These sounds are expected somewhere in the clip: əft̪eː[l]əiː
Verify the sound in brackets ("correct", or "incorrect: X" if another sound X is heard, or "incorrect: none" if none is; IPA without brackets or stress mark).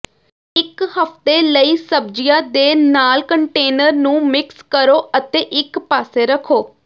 correct